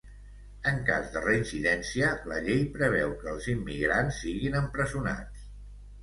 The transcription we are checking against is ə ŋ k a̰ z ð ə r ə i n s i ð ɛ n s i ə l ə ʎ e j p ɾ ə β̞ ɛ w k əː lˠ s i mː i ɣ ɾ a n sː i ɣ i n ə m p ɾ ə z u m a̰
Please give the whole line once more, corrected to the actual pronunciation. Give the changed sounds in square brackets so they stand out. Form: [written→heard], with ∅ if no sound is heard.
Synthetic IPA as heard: ə ŋ k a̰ z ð ə r ə i n s i ð ɛ n s i ə l ə ʎ e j p ɾ ə β̞ ɛ w k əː lˠ [s→z] i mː i ɣ ɾ a n sː i ɣ i n ə m p ɾ ə z u [m→n] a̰